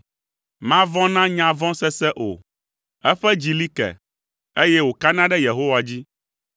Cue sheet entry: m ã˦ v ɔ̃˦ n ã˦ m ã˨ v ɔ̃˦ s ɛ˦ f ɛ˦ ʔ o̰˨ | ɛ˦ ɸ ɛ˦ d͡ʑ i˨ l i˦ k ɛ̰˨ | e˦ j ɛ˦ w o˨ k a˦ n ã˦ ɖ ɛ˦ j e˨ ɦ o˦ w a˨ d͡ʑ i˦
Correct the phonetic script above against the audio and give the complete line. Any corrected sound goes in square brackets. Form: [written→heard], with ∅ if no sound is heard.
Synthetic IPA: m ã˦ v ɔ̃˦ n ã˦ [m→ɲ] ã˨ v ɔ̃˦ s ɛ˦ [f→s] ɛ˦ ʔ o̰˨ | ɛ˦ ɸ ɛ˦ d͡ʑ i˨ l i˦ k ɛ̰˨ | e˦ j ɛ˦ w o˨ k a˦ n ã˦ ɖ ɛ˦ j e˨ ɦ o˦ w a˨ d͡ʑ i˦